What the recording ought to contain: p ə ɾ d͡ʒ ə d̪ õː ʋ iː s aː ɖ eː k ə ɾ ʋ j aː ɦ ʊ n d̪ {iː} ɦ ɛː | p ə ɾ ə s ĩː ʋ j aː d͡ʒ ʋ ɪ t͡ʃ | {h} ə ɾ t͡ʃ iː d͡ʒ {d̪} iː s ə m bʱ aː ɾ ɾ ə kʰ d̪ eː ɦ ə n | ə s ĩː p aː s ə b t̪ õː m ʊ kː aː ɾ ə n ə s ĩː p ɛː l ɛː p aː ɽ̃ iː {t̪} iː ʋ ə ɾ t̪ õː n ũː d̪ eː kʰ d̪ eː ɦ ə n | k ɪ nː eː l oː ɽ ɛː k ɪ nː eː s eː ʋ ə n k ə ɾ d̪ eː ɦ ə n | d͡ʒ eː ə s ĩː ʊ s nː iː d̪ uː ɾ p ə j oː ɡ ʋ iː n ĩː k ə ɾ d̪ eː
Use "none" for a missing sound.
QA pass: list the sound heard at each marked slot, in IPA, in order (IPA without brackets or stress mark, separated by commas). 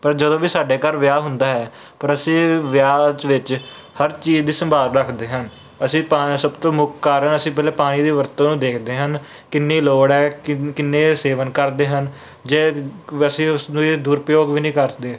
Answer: aː, h, d̪, d̪